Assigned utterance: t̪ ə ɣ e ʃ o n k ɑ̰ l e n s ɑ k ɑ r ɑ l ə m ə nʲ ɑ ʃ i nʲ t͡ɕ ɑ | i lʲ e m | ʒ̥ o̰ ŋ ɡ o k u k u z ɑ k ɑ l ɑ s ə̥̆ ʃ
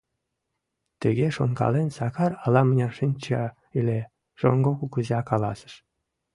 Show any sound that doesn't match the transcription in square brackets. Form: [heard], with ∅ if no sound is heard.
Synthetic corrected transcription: t̪ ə ɣ e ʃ o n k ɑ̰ l e n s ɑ k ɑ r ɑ l [ɑ] m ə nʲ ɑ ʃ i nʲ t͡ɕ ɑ | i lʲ e [∅] | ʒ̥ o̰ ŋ ɡ o k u k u z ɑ k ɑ l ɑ s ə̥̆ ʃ